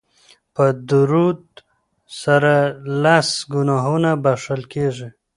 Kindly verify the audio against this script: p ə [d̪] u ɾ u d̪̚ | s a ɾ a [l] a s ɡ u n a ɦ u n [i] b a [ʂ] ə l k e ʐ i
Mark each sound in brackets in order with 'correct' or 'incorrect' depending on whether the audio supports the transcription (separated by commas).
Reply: correct, correct, incorrect, correct